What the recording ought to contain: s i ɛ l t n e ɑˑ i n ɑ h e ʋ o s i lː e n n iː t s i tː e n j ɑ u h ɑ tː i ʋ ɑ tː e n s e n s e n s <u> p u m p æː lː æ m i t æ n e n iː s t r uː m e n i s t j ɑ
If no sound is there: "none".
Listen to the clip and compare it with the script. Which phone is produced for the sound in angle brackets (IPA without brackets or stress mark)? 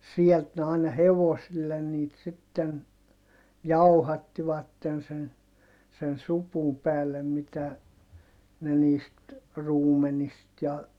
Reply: u